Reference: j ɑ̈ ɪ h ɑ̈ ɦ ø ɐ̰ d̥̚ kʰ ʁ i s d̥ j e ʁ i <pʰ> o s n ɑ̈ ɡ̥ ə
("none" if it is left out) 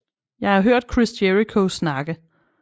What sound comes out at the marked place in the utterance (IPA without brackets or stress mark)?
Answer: kʰ